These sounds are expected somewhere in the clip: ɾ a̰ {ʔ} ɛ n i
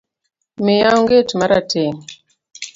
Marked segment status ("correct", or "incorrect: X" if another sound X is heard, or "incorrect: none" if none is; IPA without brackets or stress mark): incorrect: t